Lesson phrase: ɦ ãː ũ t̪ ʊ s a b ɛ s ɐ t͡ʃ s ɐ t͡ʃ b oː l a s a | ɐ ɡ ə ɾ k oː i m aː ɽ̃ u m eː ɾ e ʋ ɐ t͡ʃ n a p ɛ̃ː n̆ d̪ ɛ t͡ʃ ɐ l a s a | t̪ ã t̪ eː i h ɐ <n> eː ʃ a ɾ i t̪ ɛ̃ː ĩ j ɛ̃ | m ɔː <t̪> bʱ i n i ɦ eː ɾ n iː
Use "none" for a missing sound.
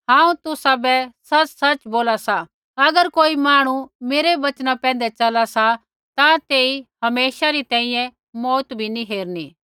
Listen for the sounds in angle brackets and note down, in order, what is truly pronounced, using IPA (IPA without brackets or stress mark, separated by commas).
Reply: m, t̪